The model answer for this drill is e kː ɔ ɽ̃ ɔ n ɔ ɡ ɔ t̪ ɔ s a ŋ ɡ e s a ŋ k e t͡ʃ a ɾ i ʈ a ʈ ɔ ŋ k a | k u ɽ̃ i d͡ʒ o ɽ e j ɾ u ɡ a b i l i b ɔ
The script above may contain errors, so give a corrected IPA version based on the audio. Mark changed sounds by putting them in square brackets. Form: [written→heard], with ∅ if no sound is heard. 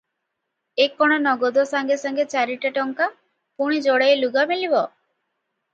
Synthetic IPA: e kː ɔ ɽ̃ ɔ n ɔ ɡ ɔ [t̪→d̪] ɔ s a ŋ ɡ e s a ŋ [k→ɡ] e t͡ʃ a ɾ i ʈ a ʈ ɔ ŋ k a | [k→p] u ɽ̃ i d͡ʒ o ɽ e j [ɾ→l] u ɡ a [b→m] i l i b ɔ